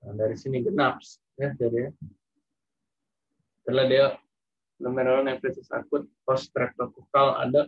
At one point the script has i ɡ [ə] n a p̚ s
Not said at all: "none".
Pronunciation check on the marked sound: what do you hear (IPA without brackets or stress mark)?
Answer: ə